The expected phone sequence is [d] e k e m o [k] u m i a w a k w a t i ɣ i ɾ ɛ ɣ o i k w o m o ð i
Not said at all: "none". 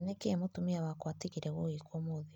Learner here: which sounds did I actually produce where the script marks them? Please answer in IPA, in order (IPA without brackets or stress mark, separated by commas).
n, t